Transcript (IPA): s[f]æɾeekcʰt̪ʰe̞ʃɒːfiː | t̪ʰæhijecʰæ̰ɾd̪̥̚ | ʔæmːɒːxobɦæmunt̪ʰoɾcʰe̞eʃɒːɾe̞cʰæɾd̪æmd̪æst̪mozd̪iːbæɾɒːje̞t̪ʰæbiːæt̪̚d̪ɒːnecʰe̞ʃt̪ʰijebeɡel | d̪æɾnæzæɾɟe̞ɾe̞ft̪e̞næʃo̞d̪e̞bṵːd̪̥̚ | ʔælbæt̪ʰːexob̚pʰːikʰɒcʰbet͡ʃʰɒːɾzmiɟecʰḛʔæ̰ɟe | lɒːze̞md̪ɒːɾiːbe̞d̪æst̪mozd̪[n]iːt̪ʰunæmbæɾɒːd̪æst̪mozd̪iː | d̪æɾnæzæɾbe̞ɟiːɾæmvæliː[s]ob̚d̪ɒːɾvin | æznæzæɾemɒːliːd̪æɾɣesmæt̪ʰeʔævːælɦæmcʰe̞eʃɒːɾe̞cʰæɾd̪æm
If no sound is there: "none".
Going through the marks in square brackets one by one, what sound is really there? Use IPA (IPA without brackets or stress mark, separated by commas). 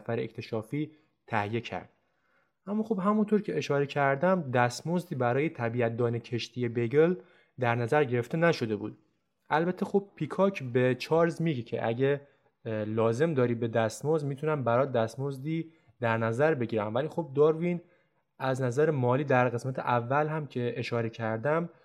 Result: f, m, x